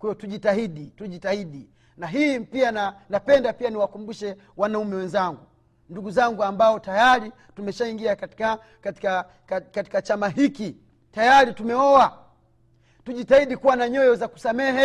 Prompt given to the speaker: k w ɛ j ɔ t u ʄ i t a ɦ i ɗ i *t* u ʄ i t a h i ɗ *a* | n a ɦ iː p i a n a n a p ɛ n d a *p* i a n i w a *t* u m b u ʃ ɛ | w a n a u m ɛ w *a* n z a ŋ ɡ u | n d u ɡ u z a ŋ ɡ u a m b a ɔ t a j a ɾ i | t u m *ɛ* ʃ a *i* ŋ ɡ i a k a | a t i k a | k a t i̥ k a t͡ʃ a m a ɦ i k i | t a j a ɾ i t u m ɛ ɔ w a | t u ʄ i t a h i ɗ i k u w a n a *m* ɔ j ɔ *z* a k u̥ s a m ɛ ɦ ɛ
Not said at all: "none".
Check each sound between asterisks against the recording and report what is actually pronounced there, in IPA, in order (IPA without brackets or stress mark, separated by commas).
t, i, p, k, ɛ, ɛ, i, ɲ, z